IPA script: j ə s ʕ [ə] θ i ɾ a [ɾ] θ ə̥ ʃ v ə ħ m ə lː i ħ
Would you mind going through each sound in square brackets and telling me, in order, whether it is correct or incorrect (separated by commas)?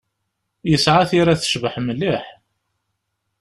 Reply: incorrect, incorrect